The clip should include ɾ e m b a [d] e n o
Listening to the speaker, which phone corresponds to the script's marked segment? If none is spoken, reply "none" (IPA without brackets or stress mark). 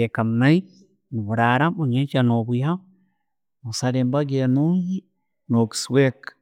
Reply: ɡ